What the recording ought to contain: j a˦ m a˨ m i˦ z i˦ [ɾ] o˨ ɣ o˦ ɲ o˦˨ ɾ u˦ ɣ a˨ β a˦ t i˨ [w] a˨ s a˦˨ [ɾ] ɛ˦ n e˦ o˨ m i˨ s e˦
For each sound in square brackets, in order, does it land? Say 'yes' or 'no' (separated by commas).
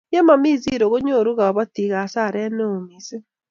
yes, no, yes